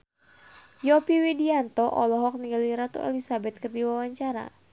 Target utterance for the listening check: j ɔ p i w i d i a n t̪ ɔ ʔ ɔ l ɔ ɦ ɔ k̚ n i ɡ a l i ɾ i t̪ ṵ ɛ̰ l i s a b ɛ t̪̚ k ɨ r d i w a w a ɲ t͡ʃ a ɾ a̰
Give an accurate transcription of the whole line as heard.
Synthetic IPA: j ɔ p i w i d i a n t̪ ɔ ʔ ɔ l ɔ ɦ ɔ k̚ n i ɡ a l i ɾ a t̪ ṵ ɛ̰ l i s a b ɛ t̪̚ k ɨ r d i w a w a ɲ t͡ʃ a ɾ a̰